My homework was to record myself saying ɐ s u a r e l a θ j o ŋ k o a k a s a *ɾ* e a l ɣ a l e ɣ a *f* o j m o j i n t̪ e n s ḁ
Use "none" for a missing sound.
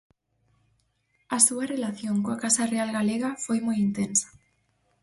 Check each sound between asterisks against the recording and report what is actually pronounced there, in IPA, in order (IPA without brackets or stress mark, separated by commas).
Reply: r, f